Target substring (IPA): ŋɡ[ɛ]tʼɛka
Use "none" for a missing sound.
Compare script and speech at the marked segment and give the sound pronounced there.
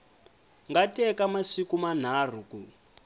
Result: a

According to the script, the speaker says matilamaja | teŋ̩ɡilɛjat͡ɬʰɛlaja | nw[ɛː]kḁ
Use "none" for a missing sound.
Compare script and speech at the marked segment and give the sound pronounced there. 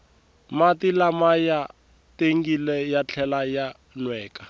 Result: ɛː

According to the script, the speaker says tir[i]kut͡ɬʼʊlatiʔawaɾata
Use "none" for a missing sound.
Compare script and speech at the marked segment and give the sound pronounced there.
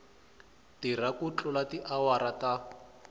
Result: a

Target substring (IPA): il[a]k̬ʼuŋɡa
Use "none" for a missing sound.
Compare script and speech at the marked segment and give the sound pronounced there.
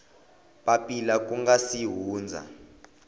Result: a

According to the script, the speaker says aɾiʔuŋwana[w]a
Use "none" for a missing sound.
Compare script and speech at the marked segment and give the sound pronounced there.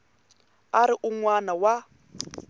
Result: w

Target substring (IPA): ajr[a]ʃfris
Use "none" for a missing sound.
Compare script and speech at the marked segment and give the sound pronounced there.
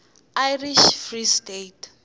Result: i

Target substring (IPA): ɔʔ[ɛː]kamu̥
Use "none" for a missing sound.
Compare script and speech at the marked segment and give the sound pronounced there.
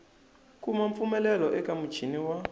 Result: ɛ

